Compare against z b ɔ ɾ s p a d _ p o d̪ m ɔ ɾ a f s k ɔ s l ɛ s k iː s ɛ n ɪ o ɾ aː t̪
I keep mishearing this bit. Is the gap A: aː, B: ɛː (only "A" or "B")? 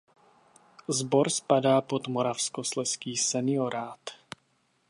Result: A